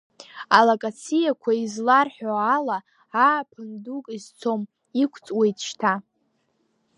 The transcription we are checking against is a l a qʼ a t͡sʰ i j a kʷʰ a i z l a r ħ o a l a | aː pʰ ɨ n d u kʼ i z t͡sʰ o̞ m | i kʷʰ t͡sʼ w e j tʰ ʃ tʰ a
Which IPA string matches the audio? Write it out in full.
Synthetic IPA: a l a kʼ a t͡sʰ i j a kʷʰ a i z l a r ħ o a l a | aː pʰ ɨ n d u kʼ i z t͡sʰ o̞ m | i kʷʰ t͡sʼ w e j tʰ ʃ tʰ a